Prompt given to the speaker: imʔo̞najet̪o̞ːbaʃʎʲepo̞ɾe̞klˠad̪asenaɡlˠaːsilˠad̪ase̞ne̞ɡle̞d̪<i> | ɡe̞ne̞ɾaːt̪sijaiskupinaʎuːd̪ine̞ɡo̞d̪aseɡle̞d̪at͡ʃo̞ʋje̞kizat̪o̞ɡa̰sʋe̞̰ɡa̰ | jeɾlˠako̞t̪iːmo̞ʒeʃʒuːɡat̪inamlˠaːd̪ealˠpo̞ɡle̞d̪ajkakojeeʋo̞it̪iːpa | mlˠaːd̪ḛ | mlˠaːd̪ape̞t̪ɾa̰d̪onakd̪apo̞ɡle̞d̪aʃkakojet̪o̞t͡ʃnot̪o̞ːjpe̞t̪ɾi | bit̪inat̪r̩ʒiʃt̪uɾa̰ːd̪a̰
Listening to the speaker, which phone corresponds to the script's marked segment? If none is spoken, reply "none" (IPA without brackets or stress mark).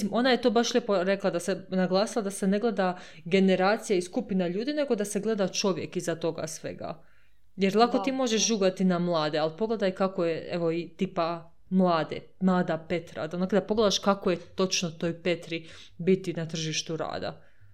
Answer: a